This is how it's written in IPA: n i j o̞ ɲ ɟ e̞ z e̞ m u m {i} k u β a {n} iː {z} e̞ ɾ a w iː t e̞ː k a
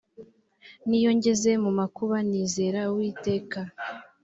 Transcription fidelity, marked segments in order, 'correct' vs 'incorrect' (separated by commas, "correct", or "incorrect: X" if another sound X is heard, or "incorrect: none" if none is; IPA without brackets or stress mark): incorrect: a, correct, correct